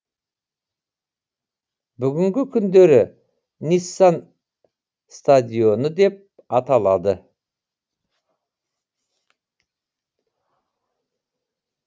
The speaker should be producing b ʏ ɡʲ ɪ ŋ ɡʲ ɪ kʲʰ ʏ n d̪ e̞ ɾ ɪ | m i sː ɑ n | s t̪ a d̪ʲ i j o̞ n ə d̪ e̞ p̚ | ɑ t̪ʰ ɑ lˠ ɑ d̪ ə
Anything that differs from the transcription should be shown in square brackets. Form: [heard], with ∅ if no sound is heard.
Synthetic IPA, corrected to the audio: b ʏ ɡʲ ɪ ŋ ɡʲ ɪ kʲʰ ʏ n d̪ e̞ ɾ ɪ | [n] i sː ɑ n | s t̪ a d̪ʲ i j o̞ n ə d̪ e̞ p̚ | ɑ [t̪] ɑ lˠ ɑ d̪ ə